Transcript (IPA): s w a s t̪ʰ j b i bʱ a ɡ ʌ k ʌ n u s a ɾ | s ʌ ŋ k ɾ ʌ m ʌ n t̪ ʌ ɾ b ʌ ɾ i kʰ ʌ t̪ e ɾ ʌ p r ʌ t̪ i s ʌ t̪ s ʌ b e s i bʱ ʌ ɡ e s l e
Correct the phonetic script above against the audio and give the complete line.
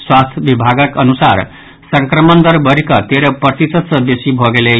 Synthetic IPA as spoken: s w a s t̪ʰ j b i bʱ a ɡ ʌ k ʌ n u s a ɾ | s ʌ ŋ k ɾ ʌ m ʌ n d̪ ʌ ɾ b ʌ ɾ i k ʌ t̪ e ɾ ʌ p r ʌ t̪ i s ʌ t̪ s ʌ b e s i bʱ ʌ ɡ e l e